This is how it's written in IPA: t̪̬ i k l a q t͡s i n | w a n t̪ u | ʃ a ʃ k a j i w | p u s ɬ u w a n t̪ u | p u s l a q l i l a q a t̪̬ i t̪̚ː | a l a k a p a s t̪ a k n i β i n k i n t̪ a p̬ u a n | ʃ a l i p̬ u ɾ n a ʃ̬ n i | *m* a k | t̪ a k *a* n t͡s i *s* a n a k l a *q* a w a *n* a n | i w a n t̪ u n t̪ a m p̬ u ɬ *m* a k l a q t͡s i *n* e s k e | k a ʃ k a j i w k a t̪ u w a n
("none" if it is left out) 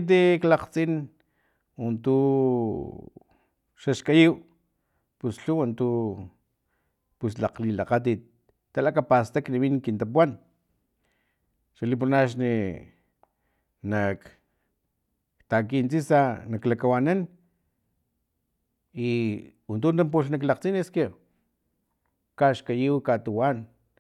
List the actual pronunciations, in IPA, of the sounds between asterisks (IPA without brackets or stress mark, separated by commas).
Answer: n, i, s, k, n, n, n